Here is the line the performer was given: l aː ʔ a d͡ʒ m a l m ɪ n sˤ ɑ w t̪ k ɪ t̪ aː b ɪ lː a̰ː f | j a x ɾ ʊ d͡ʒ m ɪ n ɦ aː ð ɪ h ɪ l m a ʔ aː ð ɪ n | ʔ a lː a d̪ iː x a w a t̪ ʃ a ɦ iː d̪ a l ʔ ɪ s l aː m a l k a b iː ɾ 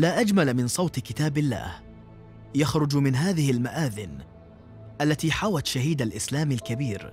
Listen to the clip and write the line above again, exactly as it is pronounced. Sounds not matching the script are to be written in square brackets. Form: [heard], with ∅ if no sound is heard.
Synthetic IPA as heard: l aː ʔ a d͡ʒ m a l m ɪ n sˤ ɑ w t̪ k ɪ t̪ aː b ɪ lː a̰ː [h] | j a x ɾ ʊ d͡ʒ m ɪ n ɦ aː ð ɪ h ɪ l m a ʔ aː ð ɪ n | ʔ a lː a [t̪] iː [ħ] a w a t̪ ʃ a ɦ iː d̪ a l ʔ ɪ s l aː m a l k a b iː ɾ